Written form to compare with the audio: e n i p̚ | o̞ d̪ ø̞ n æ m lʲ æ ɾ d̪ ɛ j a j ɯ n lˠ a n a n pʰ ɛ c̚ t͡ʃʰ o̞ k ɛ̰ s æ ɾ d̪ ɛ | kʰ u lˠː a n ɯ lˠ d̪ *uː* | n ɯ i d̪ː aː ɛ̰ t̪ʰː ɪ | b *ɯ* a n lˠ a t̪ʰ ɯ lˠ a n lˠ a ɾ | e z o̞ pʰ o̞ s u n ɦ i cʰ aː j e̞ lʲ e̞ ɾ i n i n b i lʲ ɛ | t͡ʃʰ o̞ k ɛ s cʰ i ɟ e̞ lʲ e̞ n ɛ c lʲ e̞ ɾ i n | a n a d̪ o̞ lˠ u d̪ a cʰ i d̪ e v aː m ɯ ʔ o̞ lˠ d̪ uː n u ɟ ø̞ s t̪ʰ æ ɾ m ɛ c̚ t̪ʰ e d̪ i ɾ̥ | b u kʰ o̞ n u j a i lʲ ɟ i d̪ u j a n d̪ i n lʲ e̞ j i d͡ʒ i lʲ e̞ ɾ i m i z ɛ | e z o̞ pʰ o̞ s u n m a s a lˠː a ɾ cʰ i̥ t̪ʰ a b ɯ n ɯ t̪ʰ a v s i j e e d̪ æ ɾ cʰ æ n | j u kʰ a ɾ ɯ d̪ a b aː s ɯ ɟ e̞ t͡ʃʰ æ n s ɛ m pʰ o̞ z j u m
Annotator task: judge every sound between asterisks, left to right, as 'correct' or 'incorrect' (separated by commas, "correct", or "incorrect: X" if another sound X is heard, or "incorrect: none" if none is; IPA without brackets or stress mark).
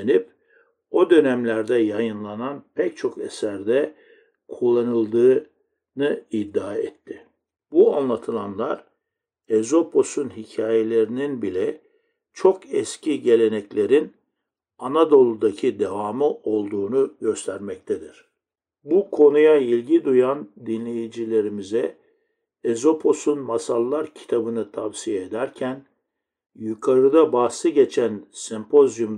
incorrect: ɯː, incorrect: u